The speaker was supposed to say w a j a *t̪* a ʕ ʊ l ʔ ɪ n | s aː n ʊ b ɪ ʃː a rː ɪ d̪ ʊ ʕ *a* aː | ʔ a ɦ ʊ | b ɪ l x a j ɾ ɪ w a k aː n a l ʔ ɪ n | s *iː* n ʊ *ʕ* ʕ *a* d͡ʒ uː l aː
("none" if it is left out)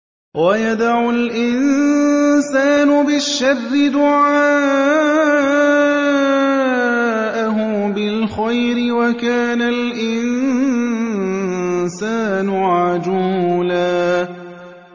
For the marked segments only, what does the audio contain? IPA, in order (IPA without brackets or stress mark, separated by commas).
d̪, a, aː, ʕ, a